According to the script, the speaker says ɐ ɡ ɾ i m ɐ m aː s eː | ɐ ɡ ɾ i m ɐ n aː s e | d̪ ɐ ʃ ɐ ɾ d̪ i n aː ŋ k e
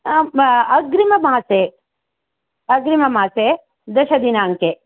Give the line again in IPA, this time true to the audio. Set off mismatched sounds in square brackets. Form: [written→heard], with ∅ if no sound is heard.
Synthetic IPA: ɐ ɡ ɾ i m ɐ m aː s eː | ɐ ɡ ɾ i m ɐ [n→m] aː s e | d̪ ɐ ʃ ɐ [ɾ→∅] d̪ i n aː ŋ k e

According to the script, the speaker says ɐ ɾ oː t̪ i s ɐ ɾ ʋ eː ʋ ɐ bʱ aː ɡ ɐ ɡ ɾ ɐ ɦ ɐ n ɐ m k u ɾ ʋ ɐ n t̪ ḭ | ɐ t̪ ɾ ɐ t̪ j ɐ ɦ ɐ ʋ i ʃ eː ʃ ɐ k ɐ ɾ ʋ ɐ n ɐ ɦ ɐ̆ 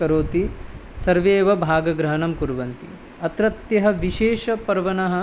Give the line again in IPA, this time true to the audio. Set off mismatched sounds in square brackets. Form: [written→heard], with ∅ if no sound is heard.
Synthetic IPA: ɐ ɾ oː t̪ i s ɐ ɾ ʋ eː ʋ ɐ bʱ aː ɡ ɐ ɡ ɾ ɐ ɦ ɐ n ɐ m k u ɾ ʋ ɐ n t̪ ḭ | ɐ t̪ ɾ ɐ t̪ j ɐ ɦ ɐ ʋ i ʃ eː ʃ ɐ [k→p] ɐ ɾ ʋ ɐ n ɐ ɦ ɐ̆

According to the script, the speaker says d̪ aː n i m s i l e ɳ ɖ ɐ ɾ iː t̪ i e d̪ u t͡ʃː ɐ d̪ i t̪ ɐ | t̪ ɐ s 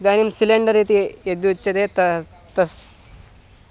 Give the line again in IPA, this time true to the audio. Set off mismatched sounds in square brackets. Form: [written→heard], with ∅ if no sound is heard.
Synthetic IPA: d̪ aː n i m s i l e ɳ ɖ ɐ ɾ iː t̪ i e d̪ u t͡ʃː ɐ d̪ [i→e] t̪ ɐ | t̪ ɐ s

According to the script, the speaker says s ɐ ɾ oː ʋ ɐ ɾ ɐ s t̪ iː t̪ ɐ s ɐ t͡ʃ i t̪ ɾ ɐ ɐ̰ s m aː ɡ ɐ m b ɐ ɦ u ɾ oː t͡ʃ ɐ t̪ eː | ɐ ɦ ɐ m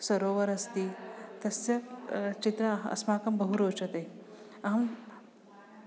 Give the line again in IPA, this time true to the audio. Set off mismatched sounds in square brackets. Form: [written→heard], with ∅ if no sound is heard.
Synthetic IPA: s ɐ ɾ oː ʋ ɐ ɾ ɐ s t̪ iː t̪ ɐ s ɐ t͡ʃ i t̪ ɾ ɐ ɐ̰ s m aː [ɡ→k] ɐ m b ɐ ɦ u ɾ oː t͡ʃ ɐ t̪ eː | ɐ ɦ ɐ m

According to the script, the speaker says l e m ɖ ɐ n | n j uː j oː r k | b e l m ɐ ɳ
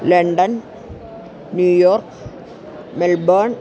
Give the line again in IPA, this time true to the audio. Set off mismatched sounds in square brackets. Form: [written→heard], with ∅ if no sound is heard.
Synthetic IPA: l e [m→ɳ] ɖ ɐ n | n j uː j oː r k | [b→m] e l [m→b] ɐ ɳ

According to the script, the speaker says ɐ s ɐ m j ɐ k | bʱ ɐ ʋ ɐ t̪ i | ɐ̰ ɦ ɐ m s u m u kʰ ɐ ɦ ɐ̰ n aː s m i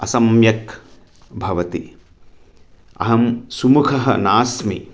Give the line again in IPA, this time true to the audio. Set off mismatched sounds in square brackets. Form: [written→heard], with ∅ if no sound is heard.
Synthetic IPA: ɐ s ɐ m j ɐ k | bʱ ɐ ʋ ɐ t̪ i | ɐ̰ ɦ ɐ m s u m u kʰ ɐ ɦ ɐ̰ n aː s m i

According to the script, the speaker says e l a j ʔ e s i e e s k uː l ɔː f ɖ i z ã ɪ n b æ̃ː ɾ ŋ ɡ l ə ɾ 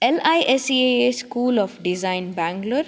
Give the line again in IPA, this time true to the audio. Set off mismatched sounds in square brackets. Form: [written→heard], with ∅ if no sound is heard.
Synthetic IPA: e l a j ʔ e s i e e s k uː l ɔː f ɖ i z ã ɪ n b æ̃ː [ɾ→∅] ŋ ɡ l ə ɾ

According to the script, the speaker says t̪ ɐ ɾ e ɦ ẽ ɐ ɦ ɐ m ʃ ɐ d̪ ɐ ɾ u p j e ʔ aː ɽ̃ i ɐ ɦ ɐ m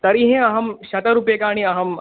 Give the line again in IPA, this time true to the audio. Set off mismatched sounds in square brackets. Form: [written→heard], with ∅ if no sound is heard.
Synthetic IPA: t̪ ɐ ɾ [e→i] ɦ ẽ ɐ ɦ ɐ m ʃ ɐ [d̪→t̪] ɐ ɾ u p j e [ʔ→k] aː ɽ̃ i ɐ ɦ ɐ m

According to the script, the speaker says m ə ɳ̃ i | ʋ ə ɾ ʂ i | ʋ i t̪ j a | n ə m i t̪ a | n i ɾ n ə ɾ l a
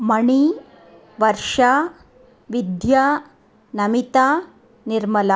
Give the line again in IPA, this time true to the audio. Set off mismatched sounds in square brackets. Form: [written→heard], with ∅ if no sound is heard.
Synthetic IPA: m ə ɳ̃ i | ʋ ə ɾ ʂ [i→a] | ʋ i [t̪→d̪] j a | n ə m i t̪ a | n i ɾ [n→m] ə [ɾ→∅] l a

